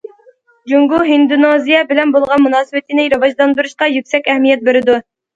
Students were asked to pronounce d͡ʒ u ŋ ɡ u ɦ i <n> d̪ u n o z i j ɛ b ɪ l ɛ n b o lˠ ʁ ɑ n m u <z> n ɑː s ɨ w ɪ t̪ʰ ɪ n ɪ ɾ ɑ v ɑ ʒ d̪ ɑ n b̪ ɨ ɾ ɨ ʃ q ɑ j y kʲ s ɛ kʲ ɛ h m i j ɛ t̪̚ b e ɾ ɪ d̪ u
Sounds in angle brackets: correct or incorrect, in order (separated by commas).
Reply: correct, incorrect